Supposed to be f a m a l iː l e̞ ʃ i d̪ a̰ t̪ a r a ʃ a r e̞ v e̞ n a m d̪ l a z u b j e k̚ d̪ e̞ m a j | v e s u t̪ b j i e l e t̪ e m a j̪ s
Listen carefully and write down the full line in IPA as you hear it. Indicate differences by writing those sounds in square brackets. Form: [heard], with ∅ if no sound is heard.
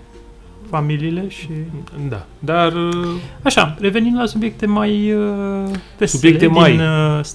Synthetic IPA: f a m [i] l iː l e̞ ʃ i d̪ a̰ [d̪] a r a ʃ a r e̞ v e̞ n [i] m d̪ l a [s] u b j e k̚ [t̪] e̞ m a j | v e s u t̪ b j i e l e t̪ e m a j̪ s